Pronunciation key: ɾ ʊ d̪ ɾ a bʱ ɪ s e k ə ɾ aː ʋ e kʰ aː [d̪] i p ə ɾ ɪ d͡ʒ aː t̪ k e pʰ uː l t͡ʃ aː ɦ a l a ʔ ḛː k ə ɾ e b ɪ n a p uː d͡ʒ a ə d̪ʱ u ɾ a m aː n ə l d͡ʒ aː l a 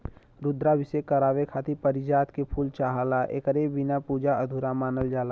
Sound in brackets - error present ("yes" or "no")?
yes